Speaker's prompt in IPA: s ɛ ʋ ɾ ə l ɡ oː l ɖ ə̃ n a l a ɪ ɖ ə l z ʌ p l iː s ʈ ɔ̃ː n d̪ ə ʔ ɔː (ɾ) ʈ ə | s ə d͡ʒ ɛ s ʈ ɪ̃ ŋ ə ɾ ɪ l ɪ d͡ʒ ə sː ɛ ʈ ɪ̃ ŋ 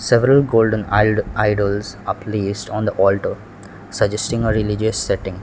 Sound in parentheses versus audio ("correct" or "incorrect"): incorrect